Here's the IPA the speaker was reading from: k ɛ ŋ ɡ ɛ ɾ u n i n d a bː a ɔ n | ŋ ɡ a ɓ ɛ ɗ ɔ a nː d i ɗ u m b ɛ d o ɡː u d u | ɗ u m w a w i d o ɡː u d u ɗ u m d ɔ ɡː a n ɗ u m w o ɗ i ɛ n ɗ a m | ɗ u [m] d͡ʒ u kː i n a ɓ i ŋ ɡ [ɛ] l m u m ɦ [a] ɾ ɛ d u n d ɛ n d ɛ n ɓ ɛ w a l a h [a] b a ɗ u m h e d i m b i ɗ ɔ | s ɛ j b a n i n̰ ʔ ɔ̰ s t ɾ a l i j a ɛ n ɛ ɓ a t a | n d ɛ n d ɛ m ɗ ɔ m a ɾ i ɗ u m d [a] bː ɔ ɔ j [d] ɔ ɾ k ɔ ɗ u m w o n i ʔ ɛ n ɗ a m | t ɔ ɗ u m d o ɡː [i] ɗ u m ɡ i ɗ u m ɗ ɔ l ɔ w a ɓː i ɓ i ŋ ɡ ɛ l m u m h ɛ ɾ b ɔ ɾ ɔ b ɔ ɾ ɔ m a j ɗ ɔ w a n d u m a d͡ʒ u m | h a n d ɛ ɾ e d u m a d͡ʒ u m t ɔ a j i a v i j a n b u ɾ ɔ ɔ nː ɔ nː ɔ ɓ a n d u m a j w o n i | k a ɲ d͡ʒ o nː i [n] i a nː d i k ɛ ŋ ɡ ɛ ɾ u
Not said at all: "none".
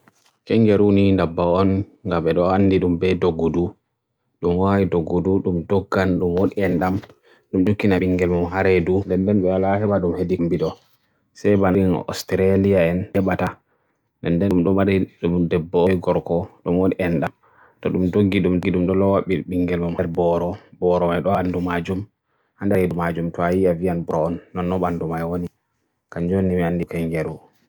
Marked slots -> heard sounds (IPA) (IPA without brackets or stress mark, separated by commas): m, ɛ, a, ɛ, ɛ, ɡ, i, m